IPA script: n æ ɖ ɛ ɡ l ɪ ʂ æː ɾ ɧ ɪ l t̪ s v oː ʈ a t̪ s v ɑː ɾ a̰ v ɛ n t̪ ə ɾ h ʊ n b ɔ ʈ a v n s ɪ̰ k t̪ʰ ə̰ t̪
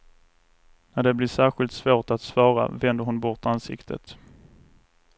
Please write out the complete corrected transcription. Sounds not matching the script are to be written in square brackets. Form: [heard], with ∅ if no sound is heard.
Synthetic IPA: n æ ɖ ɛ [b] l ɪ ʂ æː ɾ ɧ ɪ l t̪ s v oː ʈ a t̪ s v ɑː ɾ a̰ v ɛ n [d̪] ə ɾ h ʊ n b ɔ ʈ a [∅] n s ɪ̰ k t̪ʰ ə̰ t̪